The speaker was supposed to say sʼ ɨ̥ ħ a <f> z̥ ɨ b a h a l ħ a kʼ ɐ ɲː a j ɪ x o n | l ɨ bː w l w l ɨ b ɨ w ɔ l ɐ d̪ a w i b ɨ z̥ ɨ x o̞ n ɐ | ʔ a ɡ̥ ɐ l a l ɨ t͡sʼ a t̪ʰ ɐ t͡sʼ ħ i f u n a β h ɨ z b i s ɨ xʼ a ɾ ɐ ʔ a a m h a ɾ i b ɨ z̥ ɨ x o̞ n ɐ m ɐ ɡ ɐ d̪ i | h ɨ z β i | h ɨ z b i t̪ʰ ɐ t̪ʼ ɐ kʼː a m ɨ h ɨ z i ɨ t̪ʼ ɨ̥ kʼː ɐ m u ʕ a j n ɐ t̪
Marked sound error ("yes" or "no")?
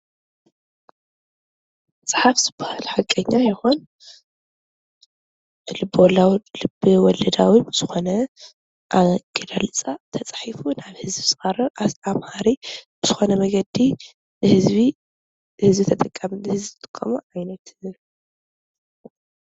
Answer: no